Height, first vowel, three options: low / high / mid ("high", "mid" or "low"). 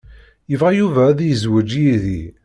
mid